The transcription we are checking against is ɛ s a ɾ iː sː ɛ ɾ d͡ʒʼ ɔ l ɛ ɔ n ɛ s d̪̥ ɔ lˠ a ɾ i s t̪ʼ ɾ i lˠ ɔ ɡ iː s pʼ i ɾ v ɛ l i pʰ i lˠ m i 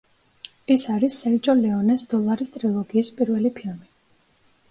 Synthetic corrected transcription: ɛ s a ɾ i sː ɛ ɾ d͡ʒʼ ɔ l ɛ ɔ n ɛ s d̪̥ ɔ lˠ a ɾ i s t̪ʼ ɾ i lˠ ɔ ɡ iː s pʼ i ɾ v ɛ l i pʰ i lˠ m i